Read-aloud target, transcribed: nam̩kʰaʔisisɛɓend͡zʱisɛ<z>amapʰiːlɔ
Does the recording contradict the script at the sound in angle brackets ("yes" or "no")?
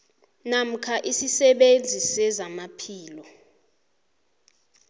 no